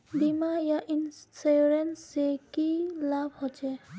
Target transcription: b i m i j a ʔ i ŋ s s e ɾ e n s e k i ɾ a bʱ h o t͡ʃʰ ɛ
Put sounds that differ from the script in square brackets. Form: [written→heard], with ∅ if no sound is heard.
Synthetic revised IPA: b i m [i→a] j a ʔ i [ŋ→n] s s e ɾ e n s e k i [ɾ→l] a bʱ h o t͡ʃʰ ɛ

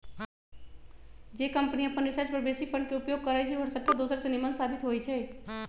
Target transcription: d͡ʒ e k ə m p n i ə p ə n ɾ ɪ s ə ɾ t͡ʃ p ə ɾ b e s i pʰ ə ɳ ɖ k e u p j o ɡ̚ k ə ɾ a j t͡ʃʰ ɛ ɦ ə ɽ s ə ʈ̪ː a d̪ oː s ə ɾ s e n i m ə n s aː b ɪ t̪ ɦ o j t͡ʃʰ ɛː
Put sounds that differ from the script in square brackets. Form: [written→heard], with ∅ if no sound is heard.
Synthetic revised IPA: d͡ʒ e k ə m p n i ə p ə n ɾ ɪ s ə ɾ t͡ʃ p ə ɾ b e s i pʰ ə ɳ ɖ k e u p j o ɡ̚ k ə ɾ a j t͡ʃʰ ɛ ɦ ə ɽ s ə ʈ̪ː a d̪ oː s ə ɾ s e n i m ə n s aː b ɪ t̪ ɦ o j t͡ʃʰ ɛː

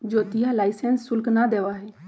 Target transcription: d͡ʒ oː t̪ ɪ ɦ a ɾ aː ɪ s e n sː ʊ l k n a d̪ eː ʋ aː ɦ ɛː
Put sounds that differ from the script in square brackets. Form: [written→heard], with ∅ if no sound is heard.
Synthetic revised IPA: d͡ʒ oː t̪ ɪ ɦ a [ɾ→l] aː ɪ s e n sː ʊ l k n a d̪ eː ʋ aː ɦ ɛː

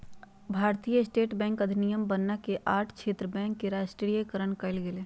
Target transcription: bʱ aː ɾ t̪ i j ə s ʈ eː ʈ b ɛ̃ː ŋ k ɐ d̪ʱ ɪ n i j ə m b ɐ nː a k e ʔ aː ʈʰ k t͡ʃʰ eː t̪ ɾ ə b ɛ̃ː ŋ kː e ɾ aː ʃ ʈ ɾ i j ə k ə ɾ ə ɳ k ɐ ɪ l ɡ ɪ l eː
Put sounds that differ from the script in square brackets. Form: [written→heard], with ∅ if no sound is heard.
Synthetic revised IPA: bʱ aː ɾ t̪ i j ə s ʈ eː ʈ b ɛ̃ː ŋ k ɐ d̪ʱ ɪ n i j ə m b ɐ nː a k e ʔ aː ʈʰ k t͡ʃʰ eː t̪ ɾ ə b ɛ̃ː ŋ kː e ɾ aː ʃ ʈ ɾ i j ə k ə ɾ ə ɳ k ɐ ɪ l ɡ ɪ l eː

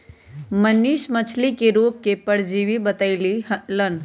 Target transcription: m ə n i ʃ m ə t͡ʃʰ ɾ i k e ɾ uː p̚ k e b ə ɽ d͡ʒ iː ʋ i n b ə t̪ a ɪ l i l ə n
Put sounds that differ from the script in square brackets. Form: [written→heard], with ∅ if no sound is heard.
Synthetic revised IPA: m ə n i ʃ m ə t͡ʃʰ [ɾ→l] i k e ɾ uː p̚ k e [b→p] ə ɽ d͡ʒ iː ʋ i [n→∅] b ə t̪ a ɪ l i l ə n

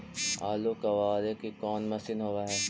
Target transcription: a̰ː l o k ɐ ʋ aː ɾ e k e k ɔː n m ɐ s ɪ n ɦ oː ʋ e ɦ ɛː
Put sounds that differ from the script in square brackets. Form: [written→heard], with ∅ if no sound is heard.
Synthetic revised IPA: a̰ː l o k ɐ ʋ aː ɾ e k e k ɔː n m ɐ s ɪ n ɦ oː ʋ [e→a] ɦ ɛː

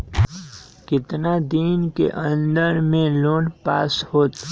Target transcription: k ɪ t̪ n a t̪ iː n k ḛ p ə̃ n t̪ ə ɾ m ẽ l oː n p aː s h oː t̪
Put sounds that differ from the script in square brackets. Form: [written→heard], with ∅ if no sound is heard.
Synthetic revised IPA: k ɪ t̪ n a [t̪→d̪] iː n k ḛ [p→ʔ] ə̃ n [t̪→d̪] ə ɾ m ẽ l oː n p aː s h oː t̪

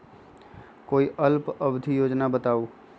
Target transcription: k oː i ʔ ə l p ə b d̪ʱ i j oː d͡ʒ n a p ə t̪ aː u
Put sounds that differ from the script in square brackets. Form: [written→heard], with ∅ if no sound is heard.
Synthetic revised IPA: k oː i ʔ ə l p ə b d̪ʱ i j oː d͡ʒ n a [p→b] ə t̪ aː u

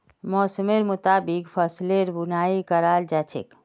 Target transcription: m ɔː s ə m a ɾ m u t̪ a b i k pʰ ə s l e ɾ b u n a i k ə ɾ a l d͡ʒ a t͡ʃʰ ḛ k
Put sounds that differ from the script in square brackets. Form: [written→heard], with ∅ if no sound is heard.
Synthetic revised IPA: m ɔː s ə m [a→e] ɾ m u t̪ a b i k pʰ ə s l e ɾ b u n a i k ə ɾ a l d͡ʒ a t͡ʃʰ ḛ k

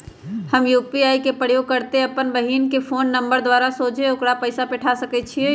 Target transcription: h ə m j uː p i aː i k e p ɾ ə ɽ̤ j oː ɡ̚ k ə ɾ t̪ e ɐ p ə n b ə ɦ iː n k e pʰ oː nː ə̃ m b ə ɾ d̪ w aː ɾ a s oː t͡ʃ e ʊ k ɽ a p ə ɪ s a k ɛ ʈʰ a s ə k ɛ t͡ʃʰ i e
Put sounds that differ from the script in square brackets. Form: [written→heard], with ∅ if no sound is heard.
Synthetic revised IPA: h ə m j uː p i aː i k e p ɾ ə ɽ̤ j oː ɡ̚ k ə ɾ t̪ e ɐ p ə n b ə ɦ iː n k e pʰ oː nː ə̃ m b ə ɾ d̪ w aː ɾ a s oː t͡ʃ e ʊ k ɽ a p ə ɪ s a [k→p] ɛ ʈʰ a s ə k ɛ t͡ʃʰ i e

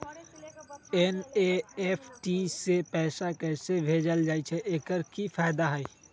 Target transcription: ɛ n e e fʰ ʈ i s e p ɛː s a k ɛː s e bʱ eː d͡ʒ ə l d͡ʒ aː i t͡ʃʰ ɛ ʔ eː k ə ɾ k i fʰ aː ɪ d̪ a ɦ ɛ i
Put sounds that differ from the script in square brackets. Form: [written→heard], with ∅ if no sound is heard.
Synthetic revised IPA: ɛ n e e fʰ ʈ i s e p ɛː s a k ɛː s e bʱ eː d͡ʒ ə l d͡ʒ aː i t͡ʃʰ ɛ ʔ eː k ə ɾ k i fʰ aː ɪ d̪ a ɦ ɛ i

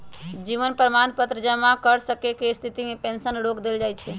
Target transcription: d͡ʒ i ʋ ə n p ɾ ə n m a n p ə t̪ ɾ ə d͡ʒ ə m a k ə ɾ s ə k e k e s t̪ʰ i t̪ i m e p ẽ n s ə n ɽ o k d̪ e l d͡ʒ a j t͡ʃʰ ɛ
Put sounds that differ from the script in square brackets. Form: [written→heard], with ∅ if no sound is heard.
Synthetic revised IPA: d͡ʒ i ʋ ə n p ɾ ə [n→∅] m a n p ə t̪ ɾ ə d͡ʒ ə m a k ə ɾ s ə k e k e s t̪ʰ i t̪ i m e p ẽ n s ə n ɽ o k d̪ e l d͡ʒ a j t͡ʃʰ ɛ

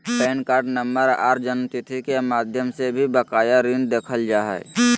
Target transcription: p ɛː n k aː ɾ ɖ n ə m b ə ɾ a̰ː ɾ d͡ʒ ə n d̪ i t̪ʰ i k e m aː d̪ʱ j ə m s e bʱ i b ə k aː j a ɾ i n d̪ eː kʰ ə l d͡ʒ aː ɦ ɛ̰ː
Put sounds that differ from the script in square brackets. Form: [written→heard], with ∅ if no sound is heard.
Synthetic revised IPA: p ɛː n k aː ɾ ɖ n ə m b ə ɾ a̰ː ɾ d͡ʒ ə n [d̪→t̪] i t̪ʰ i k e m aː d̪ʱ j ə m s e bʱ i b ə k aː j a ɾ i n d̪ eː kʰ ə l d͡ʒ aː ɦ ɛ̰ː

